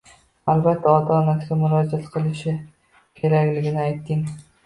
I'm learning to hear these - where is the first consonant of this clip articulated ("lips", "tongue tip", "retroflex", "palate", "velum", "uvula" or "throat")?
tongue tip